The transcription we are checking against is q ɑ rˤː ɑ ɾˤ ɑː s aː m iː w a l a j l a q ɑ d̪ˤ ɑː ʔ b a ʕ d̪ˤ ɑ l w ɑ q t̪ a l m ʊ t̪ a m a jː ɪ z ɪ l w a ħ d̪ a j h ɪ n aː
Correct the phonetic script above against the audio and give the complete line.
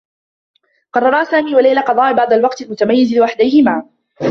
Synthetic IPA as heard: q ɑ rˤː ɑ ɾˤ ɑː s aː m iː w a l a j l a q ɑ d̪ˤ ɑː ʔ b ɑ ʕ d̪ˤ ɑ l w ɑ q t̪ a l m ʊ t̪ a m a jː ɪ z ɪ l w a ħ d̪ a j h ɪ m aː